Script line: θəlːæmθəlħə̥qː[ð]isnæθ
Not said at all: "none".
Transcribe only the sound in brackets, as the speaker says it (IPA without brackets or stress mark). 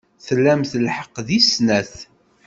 ð